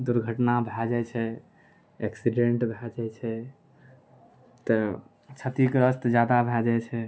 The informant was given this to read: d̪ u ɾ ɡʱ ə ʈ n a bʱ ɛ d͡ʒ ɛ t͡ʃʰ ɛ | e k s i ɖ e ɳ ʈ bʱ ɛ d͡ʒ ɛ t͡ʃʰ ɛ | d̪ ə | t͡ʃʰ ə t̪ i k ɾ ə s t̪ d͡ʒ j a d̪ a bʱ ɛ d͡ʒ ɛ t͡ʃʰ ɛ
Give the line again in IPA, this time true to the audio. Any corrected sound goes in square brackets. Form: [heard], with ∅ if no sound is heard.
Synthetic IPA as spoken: d̪ u ɾ ɡʱ ə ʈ n a bʱ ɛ d͡ʒ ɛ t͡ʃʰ ɛ | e k s i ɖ e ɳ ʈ bʱ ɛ d͡ʒ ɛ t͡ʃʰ ɛ | [t̪] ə | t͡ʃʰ ə t̪ i k ɾ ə s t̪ d͡ʒ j a d̪ a bʱ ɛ d͡ʒ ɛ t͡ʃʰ ɛ